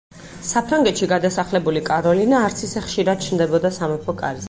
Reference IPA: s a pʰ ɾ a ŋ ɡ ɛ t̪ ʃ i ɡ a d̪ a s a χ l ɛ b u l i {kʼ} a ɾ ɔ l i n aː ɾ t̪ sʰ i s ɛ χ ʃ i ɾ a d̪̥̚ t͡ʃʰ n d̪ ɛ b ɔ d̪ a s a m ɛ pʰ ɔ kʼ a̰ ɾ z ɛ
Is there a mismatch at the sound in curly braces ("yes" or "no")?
no